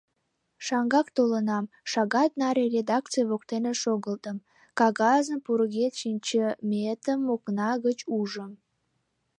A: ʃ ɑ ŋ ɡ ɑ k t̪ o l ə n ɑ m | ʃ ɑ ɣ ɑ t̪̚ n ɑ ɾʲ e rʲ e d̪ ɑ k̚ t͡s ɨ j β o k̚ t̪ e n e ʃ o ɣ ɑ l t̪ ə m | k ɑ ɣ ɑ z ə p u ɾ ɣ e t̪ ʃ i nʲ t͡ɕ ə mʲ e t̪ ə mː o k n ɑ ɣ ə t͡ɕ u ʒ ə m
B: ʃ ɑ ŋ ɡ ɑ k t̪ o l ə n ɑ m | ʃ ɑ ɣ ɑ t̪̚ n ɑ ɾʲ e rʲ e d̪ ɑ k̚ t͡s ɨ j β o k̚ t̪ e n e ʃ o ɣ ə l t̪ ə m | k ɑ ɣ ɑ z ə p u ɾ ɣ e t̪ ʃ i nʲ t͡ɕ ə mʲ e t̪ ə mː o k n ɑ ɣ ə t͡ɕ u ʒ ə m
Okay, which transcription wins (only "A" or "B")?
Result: B